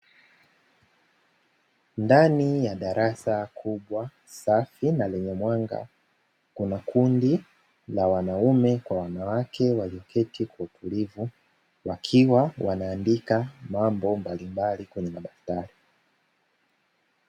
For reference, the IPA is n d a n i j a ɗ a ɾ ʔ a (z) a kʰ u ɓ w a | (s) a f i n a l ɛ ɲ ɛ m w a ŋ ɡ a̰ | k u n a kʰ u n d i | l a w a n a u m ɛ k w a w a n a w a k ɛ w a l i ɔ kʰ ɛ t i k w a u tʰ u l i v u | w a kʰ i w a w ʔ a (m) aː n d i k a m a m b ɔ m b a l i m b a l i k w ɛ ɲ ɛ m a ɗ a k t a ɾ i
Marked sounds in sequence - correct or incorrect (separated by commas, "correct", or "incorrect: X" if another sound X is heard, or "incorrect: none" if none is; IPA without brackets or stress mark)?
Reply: incorrect: s, correct, incorrect: n